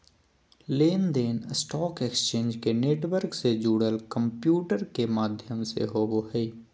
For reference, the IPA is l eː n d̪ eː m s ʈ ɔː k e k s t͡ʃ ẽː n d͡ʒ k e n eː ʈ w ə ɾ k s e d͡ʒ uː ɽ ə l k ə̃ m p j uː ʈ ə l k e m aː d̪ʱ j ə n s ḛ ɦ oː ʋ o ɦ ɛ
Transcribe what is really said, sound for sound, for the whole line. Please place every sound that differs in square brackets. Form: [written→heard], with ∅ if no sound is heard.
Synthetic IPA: l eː n d̪ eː [m→n] s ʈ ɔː k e k s t͡ʃ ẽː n d͡ʒ k e n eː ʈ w ə ɾ k s e d͡ʒ uː ɽ ə l k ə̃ m p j uː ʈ ə [l→ɾ] k e m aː d̪ʱ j ə [n→m] s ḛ ɦ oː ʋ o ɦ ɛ